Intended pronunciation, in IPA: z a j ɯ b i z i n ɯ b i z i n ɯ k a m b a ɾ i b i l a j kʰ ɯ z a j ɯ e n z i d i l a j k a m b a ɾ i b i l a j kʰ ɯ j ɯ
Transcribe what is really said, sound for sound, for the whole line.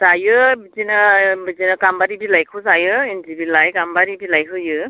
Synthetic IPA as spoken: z a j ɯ b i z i n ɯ b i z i n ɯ k a m b a ɾ i b i l a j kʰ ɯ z a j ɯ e n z i b i l a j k a m b a ɾ i b i l a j kʰ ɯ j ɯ